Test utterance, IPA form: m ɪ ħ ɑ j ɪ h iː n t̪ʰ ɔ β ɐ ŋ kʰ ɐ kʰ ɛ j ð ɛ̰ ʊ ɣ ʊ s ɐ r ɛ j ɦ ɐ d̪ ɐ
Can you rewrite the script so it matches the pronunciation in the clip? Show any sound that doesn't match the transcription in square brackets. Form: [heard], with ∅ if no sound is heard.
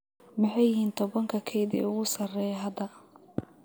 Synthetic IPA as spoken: m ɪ ħ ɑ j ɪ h iː n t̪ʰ ɔ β ɐ ŋ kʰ ɐ kʰ ɛ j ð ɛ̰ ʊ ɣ ʊ s ɐ r ɛ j ɦ ɐ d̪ ɐ